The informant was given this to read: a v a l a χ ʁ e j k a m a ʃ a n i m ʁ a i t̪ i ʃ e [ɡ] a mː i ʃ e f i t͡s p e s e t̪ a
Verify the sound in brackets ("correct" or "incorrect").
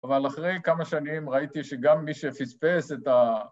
correct